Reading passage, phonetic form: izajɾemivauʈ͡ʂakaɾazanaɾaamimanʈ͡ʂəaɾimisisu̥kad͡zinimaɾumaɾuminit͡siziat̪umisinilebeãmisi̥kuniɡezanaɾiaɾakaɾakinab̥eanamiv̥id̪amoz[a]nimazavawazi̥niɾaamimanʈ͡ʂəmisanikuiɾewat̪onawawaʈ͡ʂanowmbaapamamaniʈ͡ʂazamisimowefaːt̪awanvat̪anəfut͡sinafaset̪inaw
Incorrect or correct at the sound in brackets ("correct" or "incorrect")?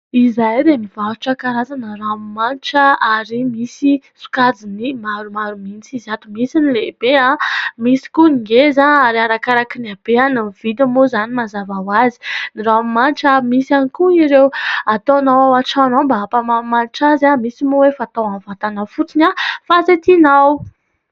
correct